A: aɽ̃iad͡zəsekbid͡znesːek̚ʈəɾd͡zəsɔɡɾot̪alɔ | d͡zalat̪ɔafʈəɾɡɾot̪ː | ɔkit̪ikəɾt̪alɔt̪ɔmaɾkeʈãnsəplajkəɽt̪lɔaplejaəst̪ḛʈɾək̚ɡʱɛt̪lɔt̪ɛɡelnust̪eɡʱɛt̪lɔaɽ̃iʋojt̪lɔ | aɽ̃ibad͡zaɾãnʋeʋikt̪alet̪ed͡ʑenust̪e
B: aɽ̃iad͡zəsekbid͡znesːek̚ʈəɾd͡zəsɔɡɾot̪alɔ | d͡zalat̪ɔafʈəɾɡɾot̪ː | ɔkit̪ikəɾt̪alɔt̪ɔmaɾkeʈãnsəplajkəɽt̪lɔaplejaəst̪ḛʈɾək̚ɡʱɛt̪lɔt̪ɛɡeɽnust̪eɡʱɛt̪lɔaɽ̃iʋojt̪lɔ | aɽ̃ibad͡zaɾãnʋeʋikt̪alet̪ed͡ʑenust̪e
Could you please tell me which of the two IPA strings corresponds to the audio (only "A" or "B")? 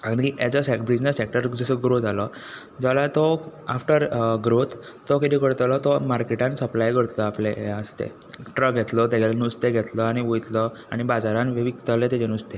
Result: A